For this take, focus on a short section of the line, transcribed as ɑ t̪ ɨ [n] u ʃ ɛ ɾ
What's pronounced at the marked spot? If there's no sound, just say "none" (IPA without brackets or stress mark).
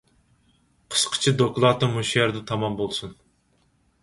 m